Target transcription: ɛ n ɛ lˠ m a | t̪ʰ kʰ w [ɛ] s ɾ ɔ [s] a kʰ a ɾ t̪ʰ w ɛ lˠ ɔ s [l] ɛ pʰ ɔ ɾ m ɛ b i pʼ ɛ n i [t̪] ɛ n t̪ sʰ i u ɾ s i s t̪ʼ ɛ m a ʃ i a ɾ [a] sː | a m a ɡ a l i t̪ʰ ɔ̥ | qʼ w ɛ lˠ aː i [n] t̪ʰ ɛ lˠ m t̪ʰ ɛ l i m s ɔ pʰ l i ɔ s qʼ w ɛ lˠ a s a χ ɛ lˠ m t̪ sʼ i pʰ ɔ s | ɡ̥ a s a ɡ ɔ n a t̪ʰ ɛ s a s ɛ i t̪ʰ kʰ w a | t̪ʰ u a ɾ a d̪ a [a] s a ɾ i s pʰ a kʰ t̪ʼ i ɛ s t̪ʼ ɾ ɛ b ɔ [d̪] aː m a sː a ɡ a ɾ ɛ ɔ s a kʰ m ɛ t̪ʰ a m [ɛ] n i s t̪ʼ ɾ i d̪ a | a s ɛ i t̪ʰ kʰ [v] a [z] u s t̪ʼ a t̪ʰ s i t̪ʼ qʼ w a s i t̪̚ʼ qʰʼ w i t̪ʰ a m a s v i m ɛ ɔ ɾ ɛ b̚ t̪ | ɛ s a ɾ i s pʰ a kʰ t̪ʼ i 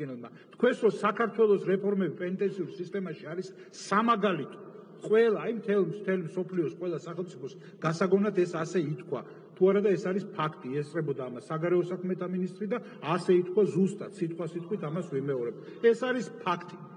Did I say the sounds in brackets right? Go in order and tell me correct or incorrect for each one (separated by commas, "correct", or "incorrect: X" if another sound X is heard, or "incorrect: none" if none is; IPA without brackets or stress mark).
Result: correct, correct, incorrect: ɾ, incorrect: t̪ʼ, incorrect: i, incorrect: m, incorrect: ɛ, correct, incorrect: i, incorrect: w, correct